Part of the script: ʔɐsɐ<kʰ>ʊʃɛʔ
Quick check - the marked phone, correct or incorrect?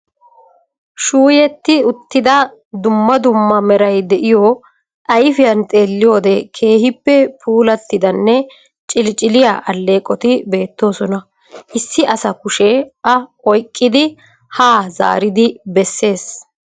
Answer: incorrect